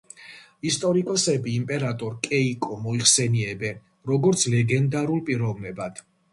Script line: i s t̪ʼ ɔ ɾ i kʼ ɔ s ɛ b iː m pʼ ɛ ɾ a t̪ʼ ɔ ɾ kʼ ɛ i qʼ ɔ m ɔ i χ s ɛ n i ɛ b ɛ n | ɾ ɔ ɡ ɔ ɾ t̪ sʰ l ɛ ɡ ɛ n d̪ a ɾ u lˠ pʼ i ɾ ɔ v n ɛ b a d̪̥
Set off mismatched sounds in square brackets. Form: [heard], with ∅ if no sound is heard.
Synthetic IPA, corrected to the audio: i s t̪ʼ ɔ ɾ i kʼ ɔ s ɛ b iː m pʼ ɛ ɾ a t̪ʼ ɔ ɾ kʼ ɛ i [kʼ] ɔ m ɔ i χ s ɛ n i ɛ b ɛ n | ɾ ɔ ɡ ɔ ɾ t̪ sʰ l ɛ ɡ ɛ n d̪ a ɾ u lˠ pʼ i ɾ ɔ v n ɛ b a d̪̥